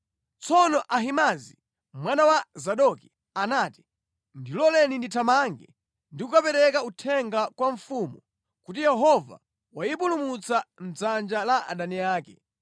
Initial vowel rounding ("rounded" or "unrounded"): rounded